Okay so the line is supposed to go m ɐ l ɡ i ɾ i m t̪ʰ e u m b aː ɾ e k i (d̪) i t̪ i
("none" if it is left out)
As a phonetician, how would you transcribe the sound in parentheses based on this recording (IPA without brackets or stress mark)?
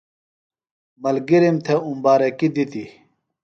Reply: d̪